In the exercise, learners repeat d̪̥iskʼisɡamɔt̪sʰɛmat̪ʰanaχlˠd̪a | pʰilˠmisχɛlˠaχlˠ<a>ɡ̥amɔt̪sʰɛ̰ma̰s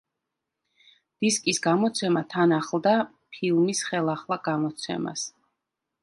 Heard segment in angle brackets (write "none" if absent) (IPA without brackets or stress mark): a